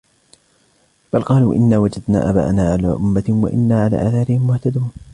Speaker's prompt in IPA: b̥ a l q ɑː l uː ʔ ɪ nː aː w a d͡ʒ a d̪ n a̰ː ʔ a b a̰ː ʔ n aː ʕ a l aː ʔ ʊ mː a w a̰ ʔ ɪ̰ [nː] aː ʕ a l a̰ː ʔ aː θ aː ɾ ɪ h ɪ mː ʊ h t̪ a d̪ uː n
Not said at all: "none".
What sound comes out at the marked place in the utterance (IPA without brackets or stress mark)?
nː